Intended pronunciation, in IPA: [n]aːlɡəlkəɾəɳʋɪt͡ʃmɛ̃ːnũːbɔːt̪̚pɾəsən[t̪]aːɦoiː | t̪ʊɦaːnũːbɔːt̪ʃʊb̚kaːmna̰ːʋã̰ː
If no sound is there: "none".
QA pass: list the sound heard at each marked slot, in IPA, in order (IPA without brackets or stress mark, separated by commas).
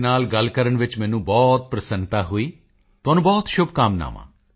n, t̪